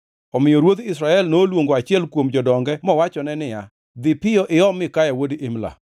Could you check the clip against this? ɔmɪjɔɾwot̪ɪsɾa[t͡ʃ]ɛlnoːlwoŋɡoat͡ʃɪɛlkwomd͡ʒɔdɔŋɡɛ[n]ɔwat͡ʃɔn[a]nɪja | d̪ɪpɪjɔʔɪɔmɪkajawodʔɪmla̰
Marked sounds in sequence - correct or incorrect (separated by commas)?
incorrect, incorrect, incorrect